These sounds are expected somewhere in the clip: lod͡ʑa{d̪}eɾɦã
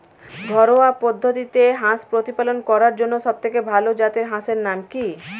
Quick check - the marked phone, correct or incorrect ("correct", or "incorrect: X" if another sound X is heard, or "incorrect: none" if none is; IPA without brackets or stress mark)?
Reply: incorrect: t̪